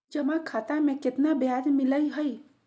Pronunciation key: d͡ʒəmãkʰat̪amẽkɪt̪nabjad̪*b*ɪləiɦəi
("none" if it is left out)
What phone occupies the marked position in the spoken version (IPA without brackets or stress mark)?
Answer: m